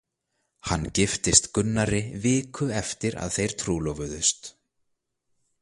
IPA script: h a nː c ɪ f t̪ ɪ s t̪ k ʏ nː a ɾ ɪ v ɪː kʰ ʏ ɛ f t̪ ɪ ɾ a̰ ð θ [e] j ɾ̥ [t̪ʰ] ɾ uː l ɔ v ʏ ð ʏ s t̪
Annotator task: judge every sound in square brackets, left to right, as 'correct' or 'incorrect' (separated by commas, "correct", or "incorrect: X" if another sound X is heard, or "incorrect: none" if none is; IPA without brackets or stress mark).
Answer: correct, correct